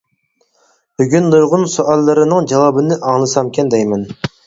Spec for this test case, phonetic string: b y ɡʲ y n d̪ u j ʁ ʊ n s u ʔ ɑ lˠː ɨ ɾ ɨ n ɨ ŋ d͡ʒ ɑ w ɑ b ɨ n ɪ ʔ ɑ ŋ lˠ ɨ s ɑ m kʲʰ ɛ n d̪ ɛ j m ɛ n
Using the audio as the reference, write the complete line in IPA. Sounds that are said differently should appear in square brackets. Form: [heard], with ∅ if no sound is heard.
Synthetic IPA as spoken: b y ɡʲ y n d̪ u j ʁ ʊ n s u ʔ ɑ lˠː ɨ ɾ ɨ n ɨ ŋ d͡ʒ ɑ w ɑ b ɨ n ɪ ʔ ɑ ŋ lˠ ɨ s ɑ m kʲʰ ɛ n d̪ ɛ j m ɛ n